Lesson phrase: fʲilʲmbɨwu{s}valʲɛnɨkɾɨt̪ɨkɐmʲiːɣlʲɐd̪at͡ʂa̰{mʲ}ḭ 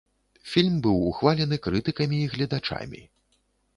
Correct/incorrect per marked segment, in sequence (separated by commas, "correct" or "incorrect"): incorrect, correct